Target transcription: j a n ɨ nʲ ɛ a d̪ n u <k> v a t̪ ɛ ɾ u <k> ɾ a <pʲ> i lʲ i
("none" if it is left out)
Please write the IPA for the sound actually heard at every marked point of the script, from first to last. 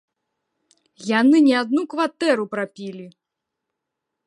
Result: k, p, pʲ

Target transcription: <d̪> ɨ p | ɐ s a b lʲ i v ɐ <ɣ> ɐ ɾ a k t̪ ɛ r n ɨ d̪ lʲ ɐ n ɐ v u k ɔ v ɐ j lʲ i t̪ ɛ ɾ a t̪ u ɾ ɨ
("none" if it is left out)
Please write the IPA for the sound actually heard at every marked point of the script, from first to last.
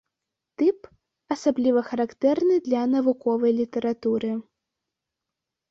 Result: t̪, x

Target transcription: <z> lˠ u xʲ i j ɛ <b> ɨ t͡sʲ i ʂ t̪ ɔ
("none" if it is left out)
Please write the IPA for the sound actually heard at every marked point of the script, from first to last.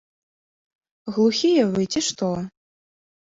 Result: ɣ, v

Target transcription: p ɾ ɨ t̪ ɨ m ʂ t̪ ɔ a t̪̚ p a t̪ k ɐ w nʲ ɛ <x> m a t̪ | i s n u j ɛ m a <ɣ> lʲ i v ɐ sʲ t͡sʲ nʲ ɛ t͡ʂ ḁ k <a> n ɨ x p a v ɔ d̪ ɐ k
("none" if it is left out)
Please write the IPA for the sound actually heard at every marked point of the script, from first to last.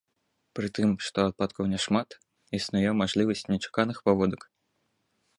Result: ʂ, ʐ, a

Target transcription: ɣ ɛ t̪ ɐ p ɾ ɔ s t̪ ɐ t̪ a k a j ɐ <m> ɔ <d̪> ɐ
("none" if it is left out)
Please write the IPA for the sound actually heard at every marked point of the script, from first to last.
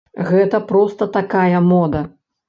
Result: m, d̪

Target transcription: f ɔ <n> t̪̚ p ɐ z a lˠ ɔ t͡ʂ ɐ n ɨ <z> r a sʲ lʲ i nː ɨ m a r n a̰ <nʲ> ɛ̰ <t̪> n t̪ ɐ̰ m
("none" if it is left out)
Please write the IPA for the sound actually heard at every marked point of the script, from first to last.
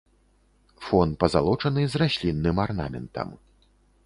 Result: n, z, mʲ, none

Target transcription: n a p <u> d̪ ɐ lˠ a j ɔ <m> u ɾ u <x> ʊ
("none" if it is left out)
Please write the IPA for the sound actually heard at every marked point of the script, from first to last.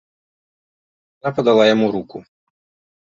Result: ɔ, m, k

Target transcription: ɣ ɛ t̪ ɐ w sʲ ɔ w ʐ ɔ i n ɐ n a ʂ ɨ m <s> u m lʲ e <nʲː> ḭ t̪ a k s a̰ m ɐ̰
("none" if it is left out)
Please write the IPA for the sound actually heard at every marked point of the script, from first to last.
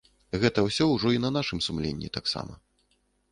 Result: s, nʲː

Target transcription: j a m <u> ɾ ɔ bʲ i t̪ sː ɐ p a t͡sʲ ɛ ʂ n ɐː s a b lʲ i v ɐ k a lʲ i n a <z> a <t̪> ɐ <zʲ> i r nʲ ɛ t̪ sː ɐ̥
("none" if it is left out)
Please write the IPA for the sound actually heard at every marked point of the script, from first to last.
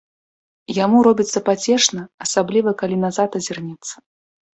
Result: u, z, t̪, zʲ

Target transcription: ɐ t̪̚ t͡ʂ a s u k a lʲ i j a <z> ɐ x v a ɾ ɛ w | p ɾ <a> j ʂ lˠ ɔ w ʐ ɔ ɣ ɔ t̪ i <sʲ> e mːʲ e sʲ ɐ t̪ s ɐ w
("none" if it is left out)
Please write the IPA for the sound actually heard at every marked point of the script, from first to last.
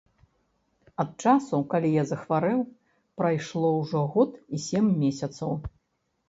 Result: z, a, sʲ

